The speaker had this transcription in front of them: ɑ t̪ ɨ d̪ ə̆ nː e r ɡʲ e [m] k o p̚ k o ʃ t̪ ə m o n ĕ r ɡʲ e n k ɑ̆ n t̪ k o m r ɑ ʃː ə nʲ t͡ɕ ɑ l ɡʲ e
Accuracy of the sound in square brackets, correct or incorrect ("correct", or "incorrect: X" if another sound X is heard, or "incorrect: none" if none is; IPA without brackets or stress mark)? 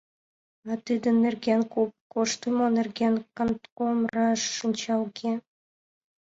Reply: incorrect: n